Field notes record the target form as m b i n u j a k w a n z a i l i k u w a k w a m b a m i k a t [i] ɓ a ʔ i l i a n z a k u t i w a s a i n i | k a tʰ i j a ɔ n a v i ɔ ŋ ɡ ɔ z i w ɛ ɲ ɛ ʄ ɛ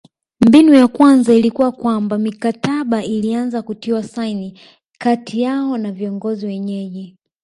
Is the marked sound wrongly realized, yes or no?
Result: yes